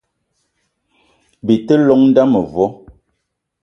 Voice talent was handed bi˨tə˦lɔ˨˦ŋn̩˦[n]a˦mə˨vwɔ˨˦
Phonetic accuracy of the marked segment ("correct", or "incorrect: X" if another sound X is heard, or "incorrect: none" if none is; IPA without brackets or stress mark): incorrect: d